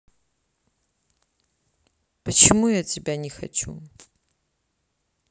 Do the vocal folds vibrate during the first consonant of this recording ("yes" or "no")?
no